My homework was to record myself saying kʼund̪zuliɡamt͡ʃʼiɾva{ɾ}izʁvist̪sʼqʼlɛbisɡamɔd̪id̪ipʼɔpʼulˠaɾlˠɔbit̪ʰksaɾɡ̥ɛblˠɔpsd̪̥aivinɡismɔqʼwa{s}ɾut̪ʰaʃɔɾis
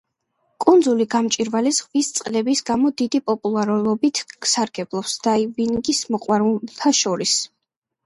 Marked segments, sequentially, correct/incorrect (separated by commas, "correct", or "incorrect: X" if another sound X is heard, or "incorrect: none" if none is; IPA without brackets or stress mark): incorrect: l, incorrect: none